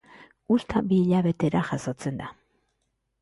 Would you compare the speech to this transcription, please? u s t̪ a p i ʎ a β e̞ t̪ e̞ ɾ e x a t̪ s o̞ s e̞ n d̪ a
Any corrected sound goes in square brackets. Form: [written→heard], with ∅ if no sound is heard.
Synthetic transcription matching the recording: u s t̪ a [p→b] i ʎ a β e̞ t̪ e̞ ɾ [e→a] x a [t̪→∅] s o̞ [s→t͡s] e̞ n d̪ a